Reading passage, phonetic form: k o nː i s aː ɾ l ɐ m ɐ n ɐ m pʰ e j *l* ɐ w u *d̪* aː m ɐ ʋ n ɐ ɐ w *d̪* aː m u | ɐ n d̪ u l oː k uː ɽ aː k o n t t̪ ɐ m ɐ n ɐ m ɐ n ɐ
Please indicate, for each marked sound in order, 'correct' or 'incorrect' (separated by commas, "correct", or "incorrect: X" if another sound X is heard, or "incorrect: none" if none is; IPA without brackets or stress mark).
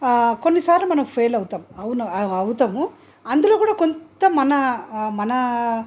correct, incorrect: t̪, incorrect: t̪